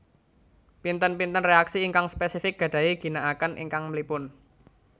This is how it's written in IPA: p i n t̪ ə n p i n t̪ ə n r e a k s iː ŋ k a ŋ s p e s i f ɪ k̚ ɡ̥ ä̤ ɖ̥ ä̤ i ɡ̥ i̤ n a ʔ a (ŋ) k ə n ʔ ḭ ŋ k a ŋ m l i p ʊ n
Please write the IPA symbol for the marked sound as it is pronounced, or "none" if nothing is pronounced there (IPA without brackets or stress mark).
none